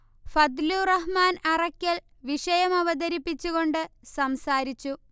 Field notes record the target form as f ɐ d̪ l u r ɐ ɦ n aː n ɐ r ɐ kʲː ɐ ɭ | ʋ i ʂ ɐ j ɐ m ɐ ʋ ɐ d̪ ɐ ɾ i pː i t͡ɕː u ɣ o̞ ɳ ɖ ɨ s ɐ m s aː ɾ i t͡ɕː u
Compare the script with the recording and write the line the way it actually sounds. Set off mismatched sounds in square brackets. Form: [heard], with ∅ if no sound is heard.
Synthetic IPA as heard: f ɐ d̪ l u r ɐ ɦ [m] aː n ɐ r ɐ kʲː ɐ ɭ | ʋ i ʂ ɐ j ɐ m ɐ ʋ ɐ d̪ ɐ ɾ i pː i t͡ɕː u ɣ o̞ ɳ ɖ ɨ s ɐ m s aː ɾ i t͡ɕː u